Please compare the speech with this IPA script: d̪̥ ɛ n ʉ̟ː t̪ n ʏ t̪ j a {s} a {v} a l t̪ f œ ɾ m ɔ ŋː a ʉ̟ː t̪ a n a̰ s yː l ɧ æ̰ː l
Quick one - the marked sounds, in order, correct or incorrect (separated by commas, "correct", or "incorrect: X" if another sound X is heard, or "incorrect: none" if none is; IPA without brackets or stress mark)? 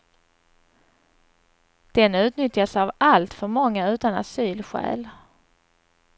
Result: correct, correct